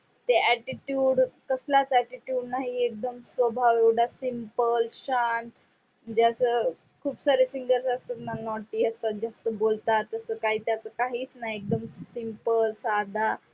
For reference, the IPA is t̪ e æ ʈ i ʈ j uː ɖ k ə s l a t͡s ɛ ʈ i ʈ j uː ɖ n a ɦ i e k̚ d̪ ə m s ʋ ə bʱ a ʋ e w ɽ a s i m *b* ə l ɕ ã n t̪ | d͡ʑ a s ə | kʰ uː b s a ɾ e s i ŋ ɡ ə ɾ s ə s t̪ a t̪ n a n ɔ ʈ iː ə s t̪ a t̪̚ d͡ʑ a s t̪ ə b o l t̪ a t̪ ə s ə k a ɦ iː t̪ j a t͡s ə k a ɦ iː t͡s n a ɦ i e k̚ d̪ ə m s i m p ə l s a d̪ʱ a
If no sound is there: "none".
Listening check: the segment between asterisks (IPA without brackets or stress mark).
p